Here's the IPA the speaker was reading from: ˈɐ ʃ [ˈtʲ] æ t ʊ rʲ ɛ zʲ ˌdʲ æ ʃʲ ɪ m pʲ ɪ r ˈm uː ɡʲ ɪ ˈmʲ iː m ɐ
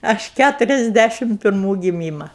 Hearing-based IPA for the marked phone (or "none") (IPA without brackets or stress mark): kʲ